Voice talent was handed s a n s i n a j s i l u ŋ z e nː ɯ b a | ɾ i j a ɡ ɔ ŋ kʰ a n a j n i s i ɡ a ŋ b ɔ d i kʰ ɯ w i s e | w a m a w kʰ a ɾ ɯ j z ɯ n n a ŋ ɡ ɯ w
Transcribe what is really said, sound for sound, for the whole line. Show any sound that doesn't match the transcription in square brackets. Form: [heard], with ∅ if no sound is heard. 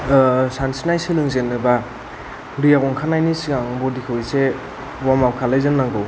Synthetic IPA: s a n s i n a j s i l [ɯ] ŋ z e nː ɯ b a | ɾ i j a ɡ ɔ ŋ kʰ a n a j n i s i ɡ a ŋ b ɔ d i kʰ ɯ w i s e | w a m a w kʰ a [l] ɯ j z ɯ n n a ŋ ɡ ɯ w